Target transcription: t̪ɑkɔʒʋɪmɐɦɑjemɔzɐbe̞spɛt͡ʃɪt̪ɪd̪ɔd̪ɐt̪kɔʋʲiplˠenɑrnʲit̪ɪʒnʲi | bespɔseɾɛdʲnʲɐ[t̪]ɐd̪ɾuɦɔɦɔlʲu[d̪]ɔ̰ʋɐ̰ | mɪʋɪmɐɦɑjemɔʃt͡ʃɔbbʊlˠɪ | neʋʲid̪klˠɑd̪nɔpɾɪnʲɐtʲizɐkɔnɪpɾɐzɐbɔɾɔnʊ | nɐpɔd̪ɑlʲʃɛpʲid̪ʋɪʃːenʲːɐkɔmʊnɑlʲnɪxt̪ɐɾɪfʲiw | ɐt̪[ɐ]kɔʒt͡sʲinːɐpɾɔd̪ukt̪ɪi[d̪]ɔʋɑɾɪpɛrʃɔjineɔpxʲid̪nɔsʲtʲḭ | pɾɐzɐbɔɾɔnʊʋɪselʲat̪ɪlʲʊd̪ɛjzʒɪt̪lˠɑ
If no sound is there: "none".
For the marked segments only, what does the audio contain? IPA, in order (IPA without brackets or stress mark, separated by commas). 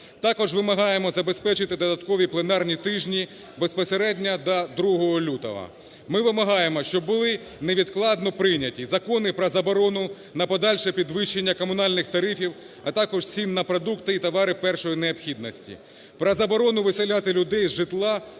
d̪, t̪, ɑ, t̪